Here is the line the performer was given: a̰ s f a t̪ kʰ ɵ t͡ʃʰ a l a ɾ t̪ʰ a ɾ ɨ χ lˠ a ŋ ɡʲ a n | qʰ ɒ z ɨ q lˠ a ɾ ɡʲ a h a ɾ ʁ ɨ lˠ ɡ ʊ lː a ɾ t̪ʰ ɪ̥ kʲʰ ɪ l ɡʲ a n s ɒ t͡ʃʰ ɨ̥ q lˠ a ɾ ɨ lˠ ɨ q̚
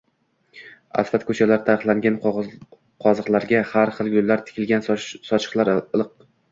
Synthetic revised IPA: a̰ s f a t̪ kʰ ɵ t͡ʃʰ a l a ɾ t̪ʰ a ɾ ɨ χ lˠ a ŋ ɡʲ a n | qʰ ɒ z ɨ q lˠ a ɾ ɡʲ a h a ɾ χ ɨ lˠ ɡ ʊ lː a ɾ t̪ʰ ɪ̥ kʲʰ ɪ l ɡʲ a n s ɒ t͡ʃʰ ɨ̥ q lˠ a ɾ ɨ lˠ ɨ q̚